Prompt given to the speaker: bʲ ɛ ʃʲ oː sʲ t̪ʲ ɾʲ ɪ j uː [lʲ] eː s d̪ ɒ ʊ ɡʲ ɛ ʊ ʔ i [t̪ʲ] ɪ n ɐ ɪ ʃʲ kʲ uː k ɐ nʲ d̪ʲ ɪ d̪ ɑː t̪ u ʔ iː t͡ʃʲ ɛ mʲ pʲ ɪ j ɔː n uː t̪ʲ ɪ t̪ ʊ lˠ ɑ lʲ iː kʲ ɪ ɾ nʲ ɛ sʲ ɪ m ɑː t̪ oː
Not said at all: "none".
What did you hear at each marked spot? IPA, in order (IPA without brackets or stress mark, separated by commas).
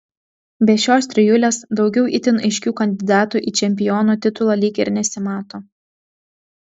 lʲ, t̪ʲ